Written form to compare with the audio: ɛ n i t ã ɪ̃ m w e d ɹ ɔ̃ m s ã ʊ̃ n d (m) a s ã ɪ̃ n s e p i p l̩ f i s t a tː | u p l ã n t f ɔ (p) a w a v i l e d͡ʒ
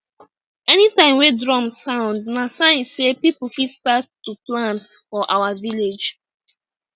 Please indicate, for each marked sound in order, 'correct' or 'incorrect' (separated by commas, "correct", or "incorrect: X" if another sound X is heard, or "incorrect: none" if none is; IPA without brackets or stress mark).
incorrect: n, incorrect: ʔ